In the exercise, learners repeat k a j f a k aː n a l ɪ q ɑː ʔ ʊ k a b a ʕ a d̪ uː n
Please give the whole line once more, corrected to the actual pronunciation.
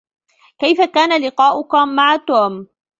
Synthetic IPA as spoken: k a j f a k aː n a l ɪ q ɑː ʔ ʊ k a m a ʕ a t̪ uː m